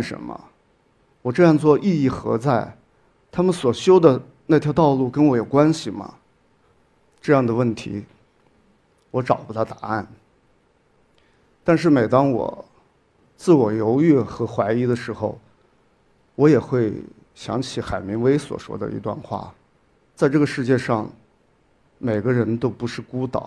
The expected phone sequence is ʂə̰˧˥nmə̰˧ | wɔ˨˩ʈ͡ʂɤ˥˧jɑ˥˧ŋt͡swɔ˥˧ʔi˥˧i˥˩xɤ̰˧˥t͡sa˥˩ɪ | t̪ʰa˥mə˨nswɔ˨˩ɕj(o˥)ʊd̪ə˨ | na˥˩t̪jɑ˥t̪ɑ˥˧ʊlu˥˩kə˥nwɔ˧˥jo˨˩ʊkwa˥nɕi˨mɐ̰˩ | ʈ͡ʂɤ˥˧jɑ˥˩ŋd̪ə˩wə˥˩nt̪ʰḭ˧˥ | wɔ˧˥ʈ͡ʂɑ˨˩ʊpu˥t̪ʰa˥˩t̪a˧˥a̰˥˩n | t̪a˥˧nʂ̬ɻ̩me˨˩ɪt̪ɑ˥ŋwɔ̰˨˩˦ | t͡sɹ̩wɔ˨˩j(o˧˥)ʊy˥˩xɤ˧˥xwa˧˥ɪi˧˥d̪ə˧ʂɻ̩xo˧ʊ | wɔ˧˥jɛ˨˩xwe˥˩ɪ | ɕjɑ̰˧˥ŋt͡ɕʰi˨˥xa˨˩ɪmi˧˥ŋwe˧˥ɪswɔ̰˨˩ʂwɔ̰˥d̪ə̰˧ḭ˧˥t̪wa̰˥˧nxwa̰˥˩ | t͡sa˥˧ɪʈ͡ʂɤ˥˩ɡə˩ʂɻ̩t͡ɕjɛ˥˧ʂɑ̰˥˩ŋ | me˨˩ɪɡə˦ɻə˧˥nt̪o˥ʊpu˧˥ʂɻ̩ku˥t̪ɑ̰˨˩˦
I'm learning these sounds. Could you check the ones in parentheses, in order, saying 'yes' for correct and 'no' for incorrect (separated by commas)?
yes, yes